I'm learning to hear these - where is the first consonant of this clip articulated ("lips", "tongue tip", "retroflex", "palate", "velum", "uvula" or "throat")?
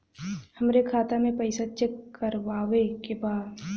throat